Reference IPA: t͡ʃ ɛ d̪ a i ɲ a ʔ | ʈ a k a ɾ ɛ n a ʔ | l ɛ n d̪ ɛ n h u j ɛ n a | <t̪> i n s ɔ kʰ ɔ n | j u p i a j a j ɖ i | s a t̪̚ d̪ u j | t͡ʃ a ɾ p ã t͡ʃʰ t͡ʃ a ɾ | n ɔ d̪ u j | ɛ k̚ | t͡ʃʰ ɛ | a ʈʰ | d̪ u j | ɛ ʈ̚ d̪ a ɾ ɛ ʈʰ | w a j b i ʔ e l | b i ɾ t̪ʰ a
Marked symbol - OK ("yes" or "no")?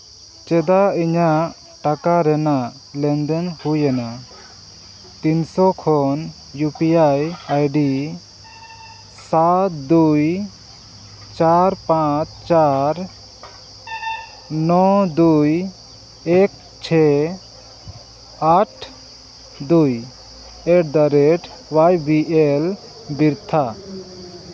yes